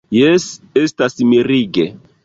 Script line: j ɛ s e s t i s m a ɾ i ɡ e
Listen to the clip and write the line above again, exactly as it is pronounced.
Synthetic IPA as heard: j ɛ s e s t a s m i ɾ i ɡ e